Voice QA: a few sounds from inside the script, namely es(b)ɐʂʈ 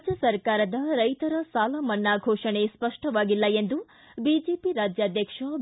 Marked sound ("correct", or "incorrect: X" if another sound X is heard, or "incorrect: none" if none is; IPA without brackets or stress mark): incorrect: p